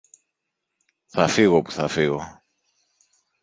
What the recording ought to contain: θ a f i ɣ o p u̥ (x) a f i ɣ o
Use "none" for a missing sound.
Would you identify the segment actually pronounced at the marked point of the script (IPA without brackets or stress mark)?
θ